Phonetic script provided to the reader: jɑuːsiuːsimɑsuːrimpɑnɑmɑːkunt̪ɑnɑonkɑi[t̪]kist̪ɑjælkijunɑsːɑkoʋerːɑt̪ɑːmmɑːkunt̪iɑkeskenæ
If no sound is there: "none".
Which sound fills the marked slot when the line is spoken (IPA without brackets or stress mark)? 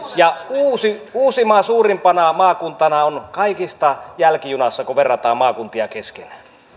none